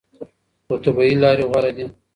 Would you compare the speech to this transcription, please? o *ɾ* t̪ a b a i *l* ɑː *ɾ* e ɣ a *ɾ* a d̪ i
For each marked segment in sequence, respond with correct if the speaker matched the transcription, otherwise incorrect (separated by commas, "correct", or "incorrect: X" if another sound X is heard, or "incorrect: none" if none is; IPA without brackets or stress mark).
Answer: incorrect: none, correct, correct, correct